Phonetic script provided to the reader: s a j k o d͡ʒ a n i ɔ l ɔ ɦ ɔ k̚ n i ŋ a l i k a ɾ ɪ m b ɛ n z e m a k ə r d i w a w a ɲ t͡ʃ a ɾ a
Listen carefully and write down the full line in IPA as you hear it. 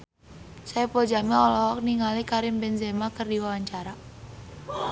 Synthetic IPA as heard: s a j p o d͡ʒ a m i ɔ l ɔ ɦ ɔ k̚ n i ŋ a l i k a ɾ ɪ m b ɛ n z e m a k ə r d i w a w a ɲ t͡ʃ a ɾ a